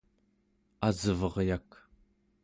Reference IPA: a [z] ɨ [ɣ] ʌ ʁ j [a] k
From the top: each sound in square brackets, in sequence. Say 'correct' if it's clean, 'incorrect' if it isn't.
correct, incorrect, correct

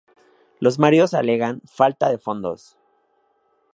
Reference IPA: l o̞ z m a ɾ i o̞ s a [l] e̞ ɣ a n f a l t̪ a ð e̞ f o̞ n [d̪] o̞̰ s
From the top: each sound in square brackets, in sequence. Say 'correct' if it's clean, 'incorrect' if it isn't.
correct, correct

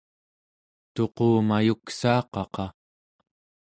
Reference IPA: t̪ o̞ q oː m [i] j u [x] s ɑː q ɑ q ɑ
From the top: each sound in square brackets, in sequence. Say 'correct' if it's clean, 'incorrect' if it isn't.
incorrect, incorrect

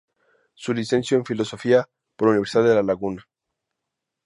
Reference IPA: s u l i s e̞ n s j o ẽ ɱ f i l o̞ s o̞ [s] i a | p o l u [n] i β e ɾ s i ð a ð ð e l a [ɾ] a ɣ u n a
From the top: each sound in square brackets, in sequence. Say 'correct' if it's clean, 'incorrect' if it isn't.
incorrect, correct, incorrect

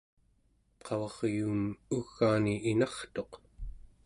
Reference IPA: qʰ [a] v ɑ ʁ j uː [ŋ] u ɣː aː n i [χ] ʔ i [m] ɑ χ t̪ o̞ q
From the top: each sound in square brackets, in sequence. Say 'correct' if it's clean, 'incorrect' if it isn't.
incorrect, incorrect, incorrect, incorrect

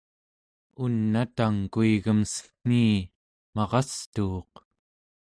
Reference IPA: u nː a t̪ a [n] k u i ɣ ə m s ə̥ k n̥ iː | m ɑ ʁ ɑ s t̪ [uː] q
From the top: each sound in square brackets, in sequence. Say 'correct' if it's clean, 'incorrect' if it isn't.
incorrect, correct

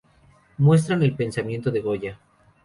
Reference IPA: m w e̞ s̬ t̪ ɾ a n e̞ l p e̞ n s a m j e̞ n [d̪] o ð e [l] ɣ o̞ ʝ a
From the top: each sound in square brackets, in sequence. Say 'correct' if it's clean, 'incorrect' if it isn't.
incorrect, incorrect

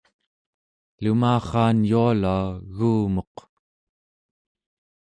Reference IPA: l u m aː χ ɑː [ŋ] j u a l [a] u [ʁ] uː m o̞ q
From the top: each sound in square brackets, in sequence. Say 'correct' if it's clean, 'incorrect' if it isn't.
incorrect, correct, incorrect

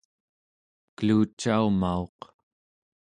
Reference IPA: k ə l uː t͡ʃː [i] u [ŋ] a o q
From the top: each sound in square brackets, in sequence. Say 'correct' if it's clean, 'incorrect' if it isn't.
incorrect, incorrect

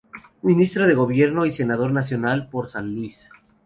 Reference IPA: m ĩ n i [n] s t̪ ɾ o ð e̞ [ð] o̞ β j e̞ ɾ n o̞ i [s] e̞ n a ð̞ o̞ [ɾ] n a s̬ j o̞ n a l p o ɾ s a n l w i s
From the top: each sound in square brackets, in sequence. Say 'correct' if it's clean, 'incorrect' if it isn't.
incorrect, incorrect, correct, correct

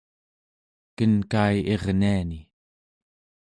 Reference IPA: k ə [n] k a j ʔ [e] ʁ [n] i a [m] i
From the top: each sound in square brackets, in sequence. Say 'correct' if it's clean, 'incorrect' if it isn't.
correct, correct, correct, incorrect

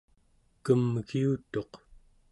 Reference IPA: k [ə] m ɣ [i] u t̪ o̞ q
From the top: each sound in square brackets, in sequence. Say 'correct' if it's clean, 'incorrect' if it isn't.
correct, correct

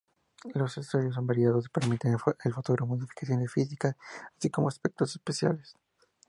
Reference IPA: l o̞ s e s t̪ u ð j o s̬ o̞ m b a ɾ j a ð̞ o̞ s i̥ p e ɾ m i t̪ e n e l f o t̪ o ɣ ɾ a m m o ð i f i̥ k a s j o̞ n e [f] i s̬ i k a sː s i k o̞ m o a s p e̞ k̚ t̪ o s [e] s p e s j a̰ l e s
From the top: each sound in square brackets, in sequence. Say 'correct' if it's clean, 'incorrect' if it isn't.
correct, correct

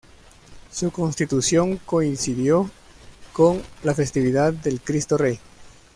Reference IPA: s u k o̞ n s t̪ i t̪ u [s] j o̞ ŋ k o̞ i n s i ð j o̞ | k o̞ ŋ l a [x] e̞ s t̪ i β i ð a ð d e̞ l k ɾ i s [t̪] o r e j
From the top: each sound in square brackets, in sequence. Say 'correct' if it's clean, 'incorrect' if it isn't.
correct, incorrect, correct

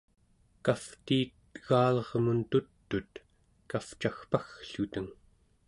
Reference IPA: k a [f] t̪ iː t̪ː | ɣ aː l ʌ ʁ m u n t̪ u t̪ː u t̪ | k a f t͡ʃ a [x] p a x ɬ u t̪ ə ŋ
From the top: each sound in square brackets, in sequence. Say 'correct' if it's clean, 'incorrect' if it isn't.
correct, correct

